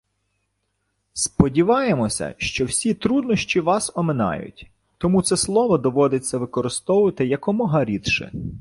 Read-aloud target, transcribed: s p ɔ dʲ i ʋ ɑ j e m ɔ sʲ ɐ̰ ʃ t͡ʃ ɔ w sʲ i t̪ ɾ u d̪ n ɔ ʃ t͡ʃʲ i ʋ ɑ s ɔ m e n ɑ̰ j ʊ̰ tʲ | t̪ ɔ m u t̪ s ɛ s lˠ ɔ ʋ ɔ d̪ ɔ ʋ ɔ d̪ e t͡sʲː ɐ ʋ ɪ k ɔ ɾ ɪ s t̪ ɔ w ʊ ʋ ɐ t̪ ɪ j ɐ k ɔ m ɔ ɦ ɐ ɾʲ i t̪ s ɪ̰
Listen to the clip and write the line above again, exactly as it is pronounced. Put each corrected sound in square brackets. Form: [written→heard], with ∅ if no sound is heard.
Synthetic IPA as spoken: s p ɔ dʲ i ʋ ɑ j e m ɔ sʲ ɐ̰ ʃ t͡ʃ ɔ w sʲ i t̪ ɾ u d̪ n ɔ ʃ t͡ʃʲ i ʋ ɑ s ɔ m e n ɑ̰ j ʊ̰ tʲ | t̪ ɔ m u t̪ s ɛ s lˠ ɔ ʋ ɔ d̪ ɔ ʋ ɔ d̪ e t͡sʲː ɐ ʋ ɪ k ɔ ɾ ɪ s t̪ ɔ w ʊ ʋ ɐ t̪ ɪ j ɐ k ɔ m ɔ ɦ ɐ ɾʲ i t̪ [s→ʃ] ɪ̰